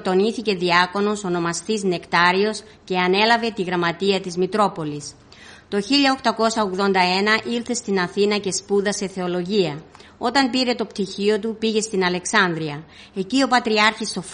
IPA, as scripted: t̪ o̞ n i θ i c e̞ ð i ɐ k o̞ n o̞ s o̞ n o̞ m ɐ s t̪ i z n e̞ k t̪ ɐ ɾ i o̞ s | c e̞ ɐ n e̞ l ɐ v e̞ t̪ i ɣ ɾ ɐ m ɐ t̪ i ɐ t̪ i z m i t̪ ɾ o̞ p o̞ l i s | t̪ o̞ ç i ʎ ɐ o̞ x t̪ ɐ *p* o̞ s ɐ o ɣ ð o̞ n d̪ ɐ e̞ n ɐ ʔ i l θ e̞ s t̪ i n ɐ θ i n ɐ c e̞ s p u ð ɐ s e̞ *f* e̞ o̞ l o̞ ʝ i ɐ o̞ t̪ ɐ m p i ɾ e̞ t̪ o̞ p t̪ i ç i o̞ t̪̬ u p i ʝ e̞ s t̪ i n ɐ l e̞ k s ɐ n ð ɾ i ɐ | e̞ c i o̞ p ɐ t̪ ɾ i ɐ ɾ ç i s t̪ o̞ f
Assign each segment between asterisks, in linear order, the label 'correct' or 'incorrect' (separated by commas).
incorrect, incorrect